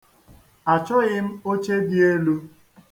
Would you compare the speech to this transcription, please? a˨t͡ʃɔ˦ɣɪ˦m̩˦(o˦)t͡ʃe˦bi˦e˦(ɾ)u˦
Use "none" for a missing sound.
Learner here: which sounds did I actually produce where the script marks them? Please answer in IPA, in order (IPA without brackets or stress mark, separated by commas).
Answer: o˦, l